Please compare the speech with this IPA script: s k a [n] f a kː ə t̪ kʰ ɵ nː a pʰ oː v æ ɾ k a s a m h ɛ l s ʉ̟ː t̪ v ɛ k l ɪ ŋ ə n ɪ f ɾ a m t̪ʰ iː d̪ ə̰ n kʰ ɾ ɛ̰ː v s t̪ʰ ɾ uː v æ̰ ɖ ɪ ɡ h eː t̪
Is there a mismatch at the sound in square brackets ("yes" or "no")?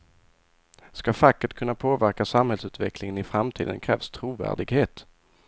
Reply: yes